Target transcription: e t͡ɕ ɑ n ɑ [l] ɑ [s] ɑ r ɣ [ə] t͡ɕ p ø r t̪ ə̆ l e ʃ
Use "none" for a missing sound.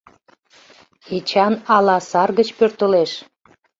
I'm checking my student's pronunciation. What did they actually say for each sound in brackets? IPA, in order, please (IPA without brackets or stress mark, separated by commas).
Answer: l, s, ə